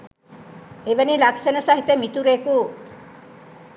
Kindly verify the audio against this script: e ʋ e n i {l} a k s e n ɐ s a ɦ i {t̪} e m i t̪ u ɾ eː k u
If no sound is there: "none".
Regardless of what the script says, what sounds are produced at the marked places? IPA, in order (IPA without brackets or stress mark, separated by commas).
l, t̪